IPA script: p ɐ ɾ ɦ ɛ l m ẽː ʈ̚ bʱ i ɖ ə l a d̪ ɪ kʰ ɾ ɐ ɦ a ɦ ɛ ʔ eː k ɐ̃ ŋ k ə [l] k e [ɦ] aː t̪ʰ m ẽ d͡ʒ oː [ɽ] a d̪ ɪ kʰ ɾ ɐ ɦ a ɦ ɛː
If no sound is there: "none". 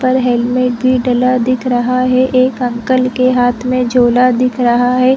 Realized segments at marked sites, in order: l, ɦ, l

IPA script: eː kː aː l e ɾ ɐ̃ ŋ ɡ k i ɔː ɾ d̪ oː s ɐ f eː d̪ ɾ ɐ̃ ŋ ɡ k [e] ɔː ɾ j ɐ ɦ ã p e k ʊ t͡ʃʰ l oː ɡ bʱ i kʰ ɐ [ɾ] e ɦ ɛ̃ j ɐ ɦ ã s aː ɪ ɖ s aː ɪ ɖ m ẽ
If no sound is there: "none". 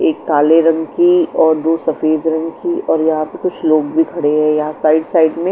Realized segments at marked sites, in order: i, ɽ

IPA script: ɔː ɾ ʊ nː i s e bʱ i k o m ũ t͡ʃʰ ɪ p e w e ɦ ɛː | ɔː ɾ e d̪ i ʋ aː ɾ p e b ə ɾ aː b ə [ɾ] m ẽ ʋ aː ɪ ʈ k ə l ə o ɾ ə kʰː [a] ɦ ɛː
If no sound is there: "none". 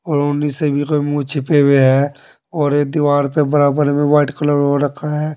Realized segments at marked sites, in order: ɾ, a

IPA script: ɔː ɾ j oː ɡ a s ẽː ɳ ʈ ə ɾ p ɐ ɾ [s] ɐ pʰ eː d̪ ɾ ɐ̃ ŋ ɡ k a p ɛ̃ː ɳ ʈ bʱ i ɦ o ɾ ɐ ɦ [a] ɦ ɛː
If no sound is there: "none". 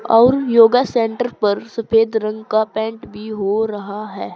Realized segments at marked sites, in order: s, a

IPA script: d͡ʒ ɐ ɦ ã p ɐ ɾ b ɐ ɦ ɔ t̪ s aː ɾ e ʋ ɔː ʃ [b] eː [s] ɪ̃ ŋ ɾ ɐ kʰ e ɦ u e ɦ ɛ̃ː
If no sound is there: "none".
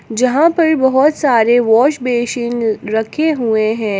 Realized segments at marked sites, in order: b, ʃ

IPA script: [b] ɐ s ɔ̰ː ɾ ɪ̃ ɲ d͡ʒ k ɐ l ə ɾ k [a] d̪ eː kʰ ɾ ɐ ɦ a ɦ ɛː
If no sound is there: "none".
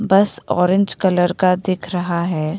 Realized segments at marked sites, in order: b, a

